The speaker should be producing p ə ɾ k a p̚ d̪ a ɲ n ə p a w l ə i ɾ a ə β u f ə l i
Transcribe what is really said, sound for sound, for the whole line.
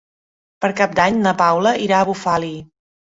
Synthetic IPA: p ə ɾ k a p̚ d̪ a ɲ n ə p a w l ə i ɾ a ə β u f a l i